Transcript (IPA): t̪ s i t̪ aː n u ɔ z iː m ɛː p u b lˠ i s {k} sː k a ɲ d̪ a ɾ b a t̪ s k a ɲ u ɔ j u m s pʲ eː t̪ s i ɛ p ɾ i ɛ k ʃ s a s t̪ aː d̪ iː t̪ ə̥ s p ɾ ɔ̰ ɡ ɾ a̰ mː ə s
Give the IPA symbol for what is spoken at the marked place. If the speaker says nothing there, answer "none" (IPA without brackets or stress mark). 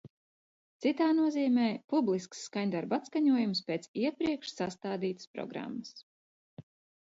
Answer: k